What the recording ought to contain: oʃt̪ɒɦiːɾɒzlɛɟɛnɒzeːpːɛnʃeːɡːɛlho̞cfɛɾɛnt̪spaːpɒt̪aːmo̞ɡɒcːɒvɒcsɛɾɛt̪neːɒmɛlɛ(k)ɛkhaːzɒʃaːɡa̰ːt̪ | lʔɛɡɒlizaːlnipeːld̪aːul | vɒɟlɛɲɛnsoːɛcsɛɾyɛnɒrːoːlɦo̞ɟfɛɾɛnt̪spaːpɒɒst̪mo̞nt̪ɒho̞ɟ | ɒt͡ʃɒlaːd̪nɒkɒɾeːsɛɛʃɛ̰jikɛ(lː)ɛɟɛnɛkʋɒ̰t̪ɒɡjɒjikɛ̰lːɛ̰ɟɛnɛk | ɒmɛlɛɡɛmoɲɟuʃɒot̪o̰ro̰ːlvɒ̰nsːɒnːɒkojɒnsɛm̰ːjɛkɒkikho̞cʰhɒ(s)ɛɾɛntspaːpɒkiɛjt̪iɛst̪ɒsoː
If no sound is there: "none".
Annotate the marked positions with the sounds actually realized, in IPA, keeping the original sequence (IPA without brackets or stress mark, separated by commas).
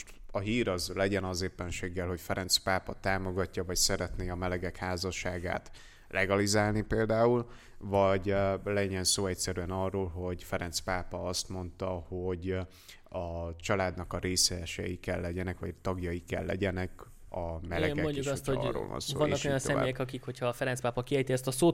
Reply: ɡ, lː, f